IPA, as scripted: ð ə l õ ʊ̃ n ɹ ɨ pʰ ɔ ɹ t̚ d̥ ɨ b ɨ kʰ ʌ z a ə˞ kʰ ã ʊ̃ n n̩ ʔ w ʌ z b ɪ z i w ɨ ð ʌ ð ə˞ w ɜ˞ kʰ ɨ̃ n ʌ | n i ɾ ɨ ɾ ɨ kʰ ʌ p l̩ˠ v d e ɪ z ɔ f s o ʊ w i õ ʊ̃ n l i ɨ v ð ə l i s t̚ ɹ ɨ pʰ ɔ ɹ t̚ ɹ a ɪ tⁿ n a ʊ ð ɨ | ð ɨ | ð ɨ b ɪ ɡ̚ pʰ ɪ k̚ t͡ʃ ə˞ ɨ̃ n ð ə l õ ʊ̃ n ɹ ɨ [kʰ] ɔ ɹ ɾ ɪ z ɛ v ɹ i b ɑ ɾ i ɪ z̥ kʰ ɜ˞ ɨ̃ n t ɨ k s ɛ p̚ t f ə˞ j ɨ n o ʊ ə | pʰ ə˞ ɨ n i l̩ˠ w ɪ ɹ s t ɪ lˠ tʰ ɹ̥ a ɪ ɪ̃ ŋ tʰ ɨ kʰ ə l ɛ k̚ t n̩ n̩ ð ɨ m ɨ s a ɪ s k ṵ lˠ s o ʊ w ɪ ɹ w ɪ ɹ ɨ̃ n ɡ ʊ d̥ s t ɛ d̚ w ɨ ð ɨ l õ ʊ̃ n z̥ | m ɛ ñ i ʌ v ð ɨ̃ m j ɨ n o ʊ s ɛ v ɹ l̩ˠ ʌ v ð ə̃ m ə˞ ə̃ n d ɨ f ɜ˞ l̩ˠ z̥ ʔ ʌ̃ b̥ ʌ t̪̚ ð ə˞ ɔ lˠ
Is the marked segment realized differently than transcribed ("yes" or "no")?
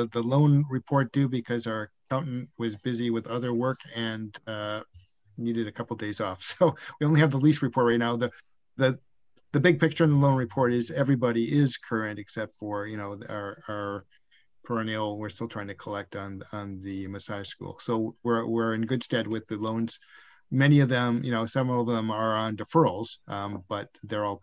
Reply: yes